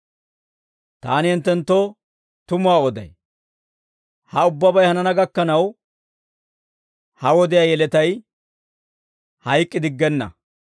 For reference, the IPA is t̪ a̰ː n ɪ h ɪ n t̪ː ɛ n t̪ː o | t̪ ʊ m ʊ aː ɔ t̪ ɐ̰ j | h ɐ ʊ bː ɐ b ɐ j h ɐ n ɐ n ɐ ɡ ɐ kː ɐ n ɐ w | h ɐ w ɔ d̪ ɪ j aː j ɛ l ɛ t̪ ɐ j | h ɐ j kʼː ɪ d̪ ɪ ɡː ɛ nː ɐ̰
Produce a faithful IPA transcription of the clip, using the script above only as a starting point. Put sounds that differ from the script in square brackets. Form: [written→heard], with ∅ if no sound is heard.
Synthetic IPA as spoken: t̪ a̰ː n ɪ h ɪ n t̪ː ɛ n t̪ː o | t̪ ʊ m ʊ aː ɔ [t̪→d̪] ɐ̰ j | h ɐ ʊ bː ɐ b ɐ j h ɐ n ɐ n ɐ ɡ ɐ kː ɐ n ɐ w | h ɐ w ɔ d̪ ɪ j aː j ɛ l ɛ t̪ ɐ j | h ɐ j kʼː ɪ d̪ ɪ ɡː ɛ nː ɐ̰